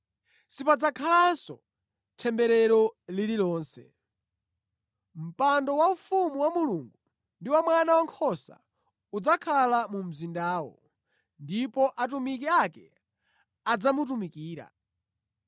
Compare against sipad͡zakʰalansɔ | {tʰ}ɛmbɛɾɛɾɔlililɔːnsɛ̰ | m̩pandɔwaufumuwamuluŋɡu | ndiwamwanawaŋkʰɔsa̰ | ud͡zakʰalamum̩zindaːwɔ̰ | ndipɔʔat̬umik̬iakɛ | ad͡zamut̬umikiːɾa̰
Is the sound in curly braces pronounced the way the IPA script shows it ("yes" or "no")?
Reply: yes